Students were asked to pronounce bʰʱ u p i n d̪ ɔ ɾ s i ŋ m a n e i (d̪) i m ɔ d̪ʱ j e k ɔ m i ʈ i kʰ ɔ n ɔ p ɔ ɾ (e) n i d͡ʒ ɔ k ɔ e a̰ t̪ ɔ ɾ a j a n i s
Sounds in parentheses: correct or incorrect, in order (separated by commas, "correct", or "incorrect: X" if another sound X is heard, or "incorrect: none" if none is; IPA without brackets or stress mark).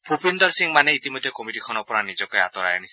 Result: incorrect: t̪, incorrect: a